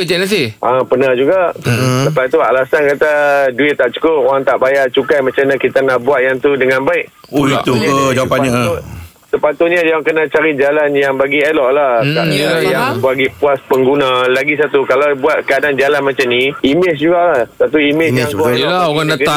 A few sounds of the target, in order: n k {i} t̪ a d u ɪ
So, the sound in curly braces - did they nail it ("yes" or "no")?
no